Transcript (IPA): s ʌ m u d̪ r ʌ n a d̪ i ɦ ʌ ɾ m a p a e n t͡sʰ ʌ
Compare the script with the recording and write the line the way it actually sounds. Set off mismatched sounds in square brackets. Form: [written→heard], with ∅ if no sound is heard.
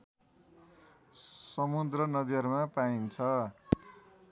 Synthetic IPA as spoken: s ʌ m u d̪ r ʌ n [a→ʌ] d̪ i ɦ ʌ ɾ m a p a [e→i] n t͡sʰ ʌ